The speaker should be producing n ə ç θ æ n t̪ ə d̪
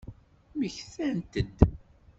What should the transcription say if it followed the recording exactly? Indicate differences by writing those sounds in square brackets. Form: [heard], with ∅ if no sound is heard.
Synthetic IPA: [m] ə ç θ æ n t̪ ə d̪